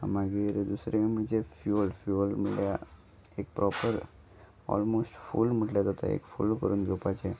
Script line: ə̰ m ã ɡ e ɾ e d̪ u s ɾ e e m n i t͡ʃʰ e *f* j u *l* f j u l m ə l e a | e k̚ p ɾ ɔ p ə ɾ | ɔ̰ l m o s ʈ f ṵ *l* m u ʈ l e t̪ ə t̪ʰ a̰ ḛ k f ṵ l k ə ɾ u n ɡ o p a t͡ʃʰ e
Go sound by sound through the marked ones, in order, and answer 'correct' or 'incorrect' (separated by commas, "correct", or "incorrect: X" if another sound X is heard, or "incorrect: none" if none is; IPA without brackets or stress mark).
correct, correct, correct